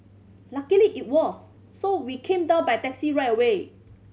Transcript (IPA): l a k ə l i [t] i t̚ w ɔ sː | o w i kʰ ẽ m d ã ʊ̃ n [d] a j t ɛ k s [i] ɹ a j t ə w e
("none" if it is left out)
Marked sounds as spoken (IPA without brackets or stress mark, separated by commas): ʔ, b, i